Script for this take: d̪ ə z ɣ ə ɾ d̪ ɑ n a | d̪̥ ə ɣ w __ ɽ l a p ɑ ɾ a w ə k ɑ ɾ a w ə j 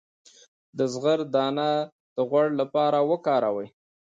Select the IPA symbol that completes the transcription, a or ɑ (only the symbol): a